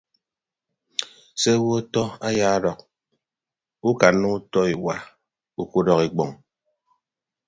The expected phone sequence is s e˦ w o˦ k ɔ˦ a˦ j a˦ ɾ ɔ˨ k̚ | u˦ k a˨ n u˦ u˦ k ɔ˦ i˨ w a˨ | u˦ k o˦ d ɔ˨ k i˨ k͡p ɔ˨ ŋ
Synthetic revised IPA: s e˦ w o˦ t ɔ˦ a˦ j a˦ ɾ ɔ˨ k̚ | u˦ k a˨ n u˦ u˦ t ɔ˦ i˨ w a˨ | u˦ k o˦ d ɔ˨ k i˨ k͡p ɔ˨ ŋ